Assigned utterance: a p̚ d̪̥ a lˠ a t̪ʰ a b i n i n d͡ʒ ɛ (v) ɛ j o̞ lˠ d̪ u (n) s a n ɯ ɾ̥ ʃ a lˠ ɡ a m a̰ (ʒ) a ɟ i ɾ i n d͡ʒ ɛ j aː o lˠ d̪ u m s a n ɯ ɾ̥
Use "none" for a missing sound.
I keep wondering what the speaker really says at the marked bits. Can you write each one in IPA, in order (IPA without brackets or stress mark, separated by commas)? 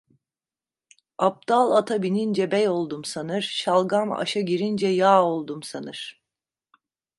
b, m, ʃ